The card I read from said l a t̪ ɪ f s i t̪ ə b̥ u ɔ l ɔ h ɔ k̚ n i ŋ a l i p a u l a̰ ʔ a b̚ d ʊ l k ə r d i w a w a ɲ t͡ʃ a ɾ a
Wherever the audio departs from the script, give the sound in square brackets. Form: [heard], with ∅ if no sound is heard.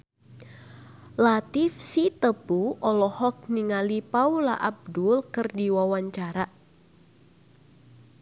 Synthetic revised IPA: l a t̪ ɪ f s i t̪ ə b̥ u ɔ l ɔ h ɔ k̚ n i ŋ a l i p a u l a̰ ʔ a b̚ d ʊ l k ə r d i w a w a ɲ t͡ʃ a ɾ a